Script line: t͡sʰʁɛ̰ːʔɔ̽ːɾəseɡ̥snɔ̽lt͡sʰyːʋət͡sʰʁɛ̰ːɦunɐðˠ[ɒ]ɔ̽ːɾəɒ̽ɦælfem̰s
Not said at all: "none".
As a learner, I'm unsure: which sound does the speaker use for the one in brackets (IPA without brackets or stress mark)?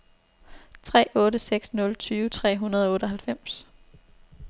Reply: ɒ